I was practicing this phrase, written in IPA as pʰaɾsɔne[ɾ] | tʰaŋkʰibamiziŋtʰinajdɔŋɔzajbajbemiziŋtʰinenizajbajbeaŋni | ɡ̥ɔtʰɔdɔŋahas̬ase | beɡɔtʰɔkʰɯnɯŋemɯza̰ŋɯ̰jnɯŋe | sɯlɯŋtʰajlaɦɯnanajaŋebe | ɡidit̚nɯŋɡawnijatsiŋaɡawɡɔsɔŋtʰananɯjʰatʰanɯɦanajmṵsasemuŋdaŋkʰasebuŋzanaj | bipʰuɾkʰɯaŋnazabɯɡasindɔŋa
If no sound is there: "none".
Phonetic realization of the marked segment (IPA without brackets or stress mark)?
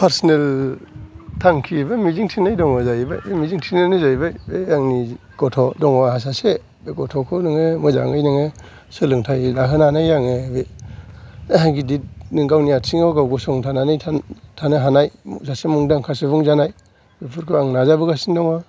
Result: l